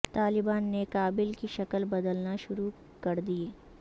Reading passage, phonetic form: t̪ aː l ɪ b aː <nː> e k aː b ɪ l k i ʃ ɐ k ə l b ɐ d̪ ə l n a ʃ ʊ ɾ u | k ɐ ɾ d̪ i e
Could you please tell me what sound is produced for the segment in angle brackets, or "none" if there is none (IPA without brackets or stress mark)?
nː